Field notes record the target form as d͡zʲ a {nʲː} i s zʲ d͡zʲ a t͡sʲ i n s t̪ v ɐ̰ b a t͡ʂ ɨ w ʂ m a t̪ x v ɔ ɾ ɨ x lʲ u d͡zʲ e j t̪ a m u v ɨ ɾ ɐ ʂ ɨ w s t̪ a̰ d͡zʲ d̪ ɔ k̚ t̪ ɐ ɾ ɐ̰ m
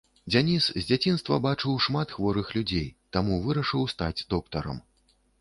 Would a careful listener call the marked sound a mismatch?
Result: yes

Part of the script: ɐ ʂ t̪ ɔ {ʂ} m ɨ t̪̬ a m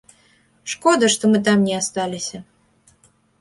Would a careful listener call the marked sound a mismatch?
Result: yes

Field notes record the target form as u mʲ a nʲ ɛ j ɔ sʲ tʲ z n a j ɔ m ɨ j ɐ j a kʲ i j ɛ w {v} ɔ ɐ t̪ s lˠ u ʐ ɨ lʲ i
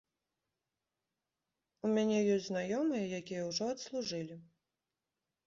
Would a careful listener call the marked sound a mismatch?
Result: yes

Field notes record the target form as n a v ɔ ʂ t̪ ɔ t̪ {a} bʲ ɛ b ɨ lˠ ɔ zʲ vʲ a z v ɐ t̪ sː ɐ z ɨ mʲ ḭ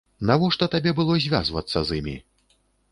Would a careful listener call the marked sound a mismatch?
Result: no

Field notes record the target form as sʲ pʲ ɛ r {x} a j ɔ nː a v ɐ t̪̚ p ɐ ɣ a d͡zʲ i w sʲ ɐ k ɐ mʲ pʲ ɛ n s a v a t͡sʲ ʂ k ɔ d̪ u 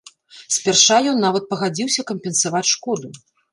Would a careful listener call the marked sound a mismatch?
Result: yes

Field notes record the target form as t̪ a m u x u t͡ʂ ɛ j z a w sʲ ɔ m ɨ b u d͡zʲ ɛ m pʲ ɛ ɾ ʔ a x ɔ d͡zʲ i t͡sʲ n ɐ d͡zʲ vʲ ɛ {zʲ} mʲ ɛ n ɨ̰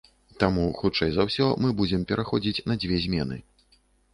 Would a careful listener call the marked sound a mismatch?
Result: no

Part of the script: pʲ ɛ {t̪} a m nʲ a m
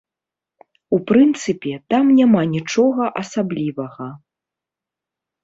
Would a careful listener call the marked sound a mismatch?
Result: no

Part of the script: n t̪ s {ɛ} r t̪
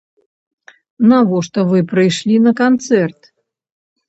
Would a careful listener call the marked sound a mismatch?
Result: no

